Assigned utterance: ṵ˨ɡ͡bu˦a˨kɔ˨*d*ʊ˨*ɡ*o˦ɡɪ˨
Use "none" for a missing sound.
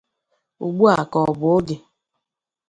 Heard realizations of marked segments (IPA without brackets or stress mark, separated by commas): b, none